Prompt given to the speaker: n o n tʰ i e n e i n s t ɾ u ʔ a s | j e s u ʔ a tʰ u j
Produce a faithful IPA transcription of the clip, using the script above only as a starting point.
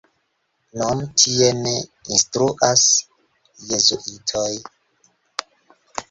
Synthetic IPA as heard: n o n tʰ i e n e i n s t ɾ u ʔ a s | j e z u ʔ i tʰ o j